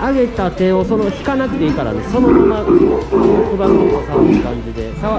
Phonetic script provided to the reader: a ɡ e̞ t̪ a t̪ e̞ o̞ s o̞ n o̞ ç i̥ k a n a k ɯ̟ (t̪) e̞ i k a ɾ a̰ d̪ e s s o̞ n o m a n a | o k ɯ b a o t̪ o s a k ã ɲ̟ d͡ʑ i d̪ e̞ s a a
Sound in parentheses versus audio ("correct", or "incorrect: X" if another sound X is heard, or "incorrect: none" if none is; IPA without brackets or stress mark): correct